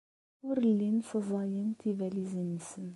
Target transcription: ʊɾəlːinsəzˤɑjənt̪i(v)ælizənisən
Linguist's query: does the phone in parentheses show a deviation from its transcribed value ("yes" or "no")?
no